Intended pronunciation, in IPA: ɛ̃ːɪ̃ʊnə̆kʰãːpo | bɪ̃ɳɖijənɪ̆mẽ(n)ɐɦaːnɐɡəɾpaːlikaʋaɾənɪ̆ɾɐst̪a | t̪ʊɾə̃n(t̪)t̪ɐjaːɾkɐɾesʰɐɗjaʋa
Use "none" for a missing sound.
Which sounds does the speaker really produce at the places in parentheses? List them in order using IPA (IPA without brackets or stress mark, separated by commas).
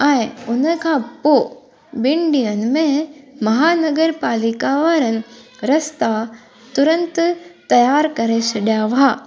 m, t̪